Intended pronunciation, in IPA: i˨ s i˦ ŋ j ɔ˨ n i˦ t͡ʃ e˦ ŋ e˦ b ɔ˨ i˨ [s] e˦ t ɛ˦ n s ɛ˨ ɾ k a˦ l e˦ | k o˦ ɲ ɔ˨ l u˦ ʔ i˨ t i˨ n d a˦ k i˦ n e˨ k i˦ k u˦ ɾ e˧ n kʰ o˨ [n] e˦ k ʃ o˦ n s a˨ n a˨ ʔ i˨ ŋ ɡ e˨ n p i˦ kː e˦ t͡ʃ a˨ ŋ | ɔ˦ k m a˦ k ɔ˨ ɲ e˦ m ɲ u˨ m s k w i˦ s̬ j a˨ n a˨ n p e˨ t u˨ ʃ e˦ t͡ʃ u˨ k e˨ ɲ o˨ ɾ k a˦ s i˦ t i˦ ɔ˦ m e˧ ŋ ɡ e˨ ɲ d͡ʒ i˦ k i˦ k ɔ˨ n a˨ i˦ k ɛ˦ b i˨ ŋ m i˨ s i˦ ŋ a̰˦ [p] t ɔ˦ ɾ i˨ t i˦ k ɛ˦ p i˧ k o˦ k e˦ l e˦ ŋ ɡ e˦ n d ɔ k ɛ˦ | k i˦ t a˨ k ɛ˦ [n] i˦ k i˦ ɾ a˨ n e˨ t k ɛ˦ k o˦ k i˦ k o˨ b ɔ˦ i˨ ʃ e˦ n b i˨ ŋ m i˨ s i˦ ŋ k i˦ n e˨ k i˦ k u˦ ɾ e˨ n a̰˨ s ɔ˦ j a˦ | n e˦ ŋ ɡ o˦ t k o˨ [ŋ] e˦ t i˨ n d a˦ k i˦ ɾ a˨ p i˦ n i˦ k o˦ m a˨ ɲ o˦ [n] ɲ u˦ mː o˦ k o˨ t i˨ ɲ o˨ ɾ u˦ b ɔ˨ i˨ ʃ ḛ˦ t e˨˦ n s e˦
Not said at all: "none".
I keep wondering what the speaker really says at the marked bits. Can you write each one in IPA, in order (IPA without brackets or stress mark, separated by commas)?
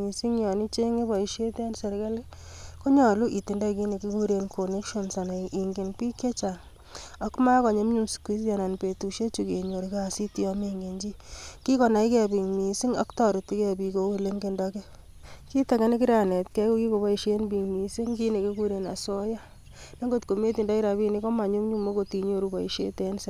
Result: ʃ, n, k, n, m, m